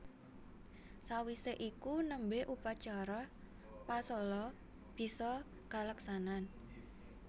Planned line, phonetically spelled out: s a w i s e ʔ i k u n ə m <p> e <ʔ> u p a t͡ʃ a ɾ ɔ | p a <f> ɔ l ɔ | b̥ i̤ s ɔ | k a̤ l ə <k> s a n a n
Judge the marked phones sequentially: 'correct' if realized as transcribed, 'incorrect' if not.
incorrect: b, correct, incorrect: s, correct

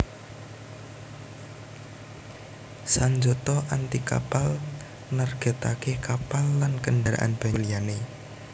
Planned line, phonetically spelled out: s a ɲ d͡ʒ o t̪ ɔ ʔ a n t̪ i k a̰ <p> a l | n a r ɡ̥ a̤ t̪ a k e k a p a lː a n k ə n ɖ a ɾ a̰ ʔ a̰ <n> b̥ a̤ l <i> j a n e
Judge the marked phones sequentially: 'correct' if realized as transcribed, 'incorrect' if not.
correct, correct, correct

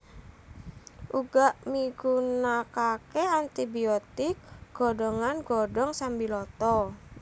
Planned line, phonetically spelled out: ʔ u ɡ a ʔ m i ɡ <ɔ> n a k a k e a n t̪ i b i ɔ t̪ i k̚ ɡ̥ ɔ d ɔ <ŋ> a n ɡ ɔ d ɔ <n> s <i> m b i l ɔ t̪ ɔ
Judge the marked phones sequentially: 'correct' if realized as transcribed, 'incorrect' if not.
incorrect: u, correct, incorrect: ŋ, incorrect: a

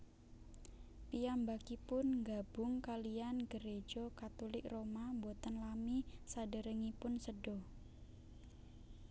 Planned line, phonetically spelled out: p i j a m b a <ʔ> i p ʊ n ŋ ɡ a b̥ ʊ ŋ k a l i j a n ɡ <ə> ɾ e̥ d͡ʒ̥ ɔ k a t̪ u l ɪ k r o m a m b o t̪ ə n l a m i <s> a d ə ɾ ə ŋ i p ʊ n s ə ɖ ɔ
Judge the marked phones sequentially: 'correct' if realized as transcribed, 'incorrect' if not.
incorrect: k, correct, correct

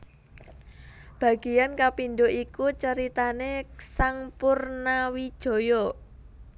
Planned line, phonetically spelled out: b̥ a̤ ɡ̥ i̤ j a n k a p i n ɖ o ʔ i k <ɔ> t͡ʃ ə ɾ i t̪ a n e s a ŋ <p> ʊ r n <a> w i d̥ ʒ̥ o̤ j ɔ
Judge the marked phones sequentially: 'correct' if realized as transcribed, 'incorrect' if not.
incorrect: u, correct, correct

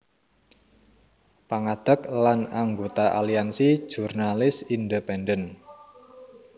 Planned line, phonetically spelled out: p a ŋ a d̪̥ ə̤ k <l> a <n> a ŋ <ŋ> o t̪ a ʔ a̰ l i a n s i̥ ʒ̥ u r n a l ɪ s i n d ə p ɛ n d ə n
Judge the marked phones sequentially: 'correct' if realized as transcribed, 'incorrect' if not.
correct, correct, incorrect: ɡ

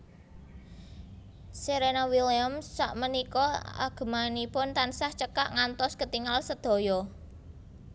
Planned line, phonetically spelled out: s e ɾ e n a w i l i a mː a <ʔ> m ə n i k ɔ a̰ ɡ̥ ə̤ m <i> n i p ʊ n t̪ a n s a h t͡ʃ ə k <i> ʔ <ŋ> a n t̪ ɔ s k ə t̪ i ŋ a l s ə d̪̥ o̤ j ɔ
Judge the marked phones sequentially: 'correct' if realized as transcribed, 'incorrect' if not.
correct, incorrect: a, incorrect: a, correct

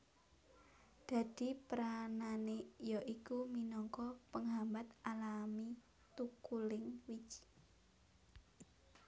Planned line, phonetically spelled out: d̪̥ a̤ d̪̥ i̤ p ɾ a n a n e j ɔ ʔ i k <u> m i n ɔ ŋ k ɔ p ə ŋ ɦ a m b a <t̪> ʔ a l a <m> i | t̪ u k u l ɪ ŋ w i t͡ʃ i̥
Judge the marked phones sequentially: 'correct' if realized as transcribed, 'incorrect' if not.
correct, correct, correct

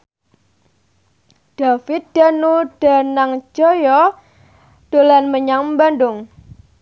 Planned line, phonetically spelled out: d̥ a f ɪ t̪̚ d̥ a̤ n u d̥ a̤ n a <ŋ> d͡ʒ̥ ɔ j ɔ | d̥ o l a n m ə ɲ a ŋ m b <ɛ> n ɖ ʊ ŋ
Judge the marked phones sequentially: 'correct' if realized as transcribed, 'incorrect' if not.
correct, incorrect: a

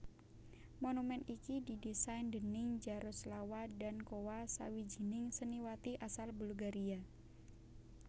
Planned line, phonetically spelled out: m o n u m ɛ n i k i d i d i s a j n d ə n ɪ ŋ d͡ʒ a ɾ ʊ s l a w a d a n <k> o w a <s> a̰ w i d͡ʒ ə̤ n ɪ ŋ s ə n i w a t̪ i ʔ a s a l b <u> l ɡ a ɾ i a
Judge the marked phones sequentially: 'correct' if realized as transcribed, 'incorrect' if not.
correct, correct, correct

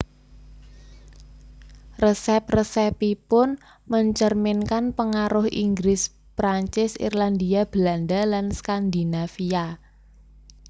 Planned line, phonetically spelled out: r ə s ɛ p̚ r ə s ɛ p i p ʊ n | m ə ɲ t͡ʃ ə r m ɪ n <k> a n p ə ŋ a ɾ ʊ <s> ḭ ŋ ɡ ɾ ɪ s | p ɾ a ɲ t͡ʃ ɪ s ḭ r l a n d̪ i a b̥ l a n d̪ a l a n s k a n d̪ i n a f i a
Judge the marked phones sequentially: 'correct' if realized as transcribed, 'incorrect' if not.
correct, incorrect: h

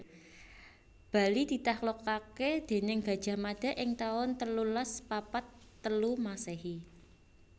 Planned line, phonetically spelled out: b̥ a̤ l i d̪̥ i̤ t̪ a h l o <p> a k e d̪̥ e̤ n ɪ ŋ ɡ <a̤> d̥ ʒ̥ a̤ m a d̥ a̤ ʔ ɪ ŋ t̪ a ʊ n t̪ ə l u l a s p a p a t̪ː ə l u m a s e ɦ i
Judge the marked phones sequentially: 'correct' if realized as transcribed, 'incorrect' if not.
incorrect: k, correct

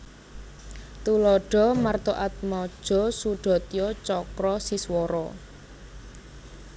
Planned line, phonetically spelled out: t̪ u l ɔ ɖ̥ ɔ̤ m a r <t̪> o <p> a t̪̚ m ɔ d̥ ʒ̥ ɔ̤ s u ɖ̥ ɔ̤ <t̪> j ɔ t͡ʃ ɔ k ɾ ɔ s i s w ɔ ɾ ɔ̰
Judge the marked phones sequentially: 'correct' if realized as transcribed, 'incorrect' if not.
correct, incorrect: ʔ, correct

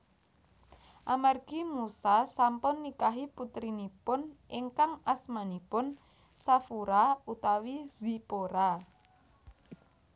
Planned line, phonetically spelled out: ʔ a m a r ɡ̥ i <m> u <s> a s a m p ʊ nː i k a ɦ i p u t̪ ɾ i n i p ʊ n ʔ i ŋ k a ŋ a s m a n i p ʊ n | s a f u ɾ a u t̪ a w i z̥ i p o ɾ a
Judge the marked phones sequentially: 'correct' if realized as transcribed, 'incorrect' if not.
correct, correct

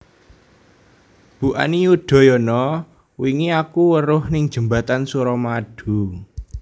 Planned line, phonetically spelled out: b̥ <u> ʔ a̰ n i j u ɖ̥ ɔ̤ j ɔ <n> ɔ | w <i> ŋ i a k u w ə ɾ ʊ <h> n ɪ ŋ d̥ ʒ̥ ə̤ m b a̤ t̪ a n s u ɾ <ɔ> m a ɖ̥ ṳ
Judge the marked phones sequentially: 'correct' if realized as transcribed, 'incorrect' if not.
correct, correct, correct, correct, correct

